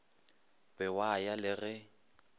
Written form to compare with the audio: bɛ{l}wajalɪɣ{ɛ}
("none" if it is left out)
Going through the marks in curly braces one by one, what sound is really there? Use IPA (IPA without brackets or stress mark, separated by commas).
none, ɛ